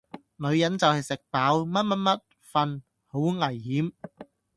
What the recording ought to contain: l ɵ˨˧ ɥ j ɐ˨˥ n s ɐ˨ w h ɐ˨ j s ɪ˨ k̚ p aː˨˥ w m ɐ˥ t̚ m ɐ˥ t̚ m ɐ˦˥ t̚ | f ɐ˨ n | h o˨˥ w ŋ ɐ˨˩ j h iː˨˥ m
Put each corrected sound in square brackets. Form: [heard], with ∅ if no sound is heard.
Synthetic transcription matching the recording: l ɵ˨˧ ɥ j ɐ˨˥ n [t͡s] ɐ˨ w h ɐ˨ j s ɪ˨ k̚ p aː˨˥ w m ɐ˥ t̚ m ɐ˥ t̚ m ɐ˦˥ t̚ | f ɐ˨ n | h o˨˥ w ŋ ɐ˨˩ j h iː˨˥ m